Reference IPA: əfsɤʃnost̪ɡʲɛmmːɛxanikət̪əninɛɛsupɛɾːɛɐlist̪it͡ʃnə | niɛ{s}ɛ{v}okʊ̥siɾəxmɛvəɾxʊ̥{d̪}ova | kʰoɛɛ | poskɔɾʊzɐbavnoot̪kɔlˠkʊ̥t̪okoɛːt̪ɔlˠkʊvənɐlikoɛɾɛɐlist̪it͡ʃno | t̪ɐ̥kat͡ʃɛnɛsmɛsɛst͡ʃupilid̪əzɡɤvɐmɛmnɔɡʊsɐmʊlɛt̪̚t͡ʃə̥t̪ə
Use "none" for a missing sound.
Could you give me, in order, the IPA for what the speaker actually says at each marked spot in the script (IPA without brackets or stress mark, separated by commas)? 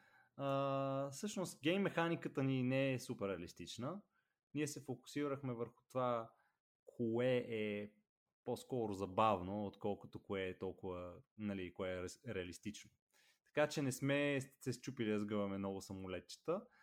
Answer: s, f, t̪